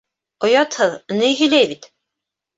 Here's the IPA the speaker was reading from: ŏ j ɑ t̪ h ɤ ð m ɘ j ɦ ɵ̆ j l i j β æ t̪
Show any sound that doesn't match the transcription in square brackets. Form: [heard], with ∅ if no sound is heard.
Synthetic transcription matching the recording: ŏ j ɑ t̪ h ɤ ð [n] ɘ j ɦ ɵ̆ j l [æ] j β [i] t̪